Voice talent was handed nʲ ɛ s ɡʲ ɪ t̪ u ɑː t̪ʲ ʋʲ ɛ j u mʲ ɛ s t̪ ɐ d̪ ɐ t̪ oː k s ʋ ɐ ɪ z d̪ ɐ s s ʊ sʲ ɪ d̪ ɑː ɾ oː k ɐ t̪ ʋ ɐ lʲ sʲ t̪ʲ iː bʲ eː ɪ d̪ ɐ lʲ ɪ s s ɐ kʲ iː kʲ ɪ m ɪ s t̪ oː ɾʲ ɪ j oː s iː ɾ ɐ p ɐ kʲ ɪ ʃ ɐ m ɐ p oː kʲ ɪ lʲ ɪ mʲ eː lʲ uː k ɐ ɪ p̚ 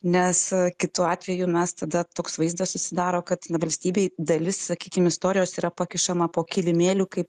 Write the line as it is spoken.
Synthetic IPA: nʲ ɛ s kʲ ɪ t̪ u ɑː t̪ʲ ʋʲ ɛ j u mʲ ɛ s t̪ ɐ d̪ ɐ t̪ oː k s ʋ ɐ ɪ z d̪ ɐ s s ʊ sʲ ɪ d̪ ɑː ɾ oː k ɐ t̪ ʋ ɐ lʲ sʲ t̪ʲ iː bʲ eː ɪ d̪ ɐ lʲ ɪ s s ɐ kʲ iː kʲ ɪ m ɪ s t̪ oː ɾʲ ɪ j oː s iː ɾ ɐ p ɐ kʲ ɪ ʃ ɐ m ɐ p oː kʲ ɪ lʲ ɪ mʲ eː lʲ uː k ɐ ɪ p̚